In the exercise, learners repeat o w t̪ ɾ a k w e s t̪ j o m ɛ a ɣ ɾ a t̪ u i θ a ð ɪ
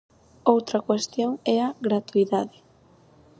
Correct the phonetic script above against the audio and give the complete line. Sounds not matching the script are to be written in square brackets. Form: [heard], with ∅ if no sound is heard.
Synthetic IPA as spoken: o w t̪ ɾ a k w e s t̪ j o [ŋ] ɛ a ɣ ɾ a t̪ u i [ð] a ð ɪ